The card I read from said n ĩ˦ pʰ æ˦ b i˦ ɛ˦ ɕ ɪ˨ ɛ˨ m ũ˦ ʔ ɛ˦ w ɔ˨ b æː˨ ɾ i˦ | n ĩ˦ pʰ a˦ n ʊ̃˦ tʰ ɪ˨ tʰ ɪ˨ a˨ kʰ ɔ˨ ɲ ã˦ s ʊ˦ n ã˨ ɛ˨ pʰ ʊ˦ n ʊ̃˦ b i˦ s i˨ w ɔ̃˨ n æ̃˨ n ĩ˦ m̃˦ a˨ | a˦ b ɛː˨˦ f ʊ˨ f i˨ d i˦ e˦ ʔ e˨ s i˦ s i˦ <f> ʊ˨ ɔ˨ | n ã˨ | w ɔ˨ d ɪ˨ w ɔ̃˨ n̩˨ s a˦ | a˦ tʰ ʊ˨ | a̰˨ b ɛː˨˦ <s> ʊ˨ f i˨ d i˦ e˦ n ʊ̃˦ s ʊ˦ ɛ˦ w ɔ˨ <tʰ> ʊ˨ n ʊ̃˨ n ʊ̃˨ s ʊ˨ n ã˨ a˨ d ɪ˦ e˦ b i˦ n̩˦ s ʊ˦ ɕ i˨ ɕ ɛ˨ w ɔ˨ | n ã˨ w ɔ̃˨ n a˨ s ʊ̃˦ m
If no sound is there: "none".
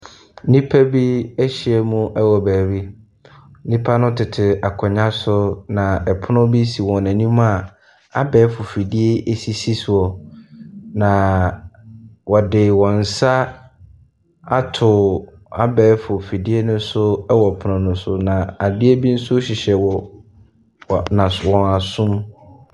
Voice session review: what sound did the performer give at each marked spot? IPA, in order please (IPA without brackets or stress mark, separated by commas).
s, f, pʰ